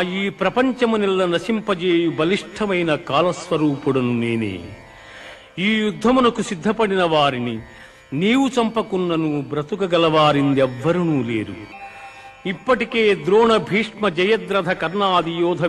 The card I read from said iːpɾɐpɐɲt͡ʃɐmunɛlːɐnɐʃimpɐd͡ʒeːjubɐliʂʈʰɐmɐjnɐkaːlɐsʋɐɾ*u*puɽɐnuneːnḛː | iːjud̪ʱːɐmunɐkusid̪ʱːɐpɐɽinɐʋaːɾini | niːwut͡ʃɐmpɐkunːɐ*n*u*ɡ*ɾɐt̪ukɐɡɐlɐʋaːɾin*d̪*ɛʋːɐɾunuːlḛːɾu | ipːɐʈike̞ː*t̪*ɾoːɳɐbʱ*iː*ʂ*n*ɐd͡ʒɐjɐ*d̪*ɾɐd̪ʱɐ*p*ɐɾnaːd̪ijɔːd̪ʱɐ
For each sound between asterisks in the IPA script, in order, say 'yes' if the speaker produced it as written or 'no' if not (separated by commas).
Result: no, yes, no, yes, no, yes, no, yes, no